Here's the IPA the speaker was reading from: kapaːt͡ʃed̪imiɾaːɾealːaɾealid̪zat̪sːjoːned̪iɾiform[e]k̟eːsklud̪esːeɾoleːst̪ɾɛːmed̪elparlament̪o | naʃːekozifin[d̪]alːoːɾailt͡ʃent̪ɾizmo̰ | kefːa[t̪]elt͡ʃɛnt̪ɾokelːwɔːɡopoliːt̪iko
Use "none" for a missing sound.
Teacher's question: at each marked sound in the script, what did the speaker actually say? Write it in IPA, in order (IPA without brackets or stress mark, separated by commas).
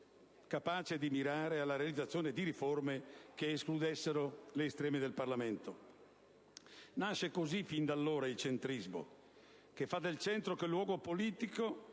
e, d̪, d̪